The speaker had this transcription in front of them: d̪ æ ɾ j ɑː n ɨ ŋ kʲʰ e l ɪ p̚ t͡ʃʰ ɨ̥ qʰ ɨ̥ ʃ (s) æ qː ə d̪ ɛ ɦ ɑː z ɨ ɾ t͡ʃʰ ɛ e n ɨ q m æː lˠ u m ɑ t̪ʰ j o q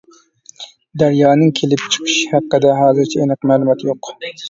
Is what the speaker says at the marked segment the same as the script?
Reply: no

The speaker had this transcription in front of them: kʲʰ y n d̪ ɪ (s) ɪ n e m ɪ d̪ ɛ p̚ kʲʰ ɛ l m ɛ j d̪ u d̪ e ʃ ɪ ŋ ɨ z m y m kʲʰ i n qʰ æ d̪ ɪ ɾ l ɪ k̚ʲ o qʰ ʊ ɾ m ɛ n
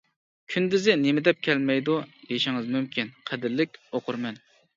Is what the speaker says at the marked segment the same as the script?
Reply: no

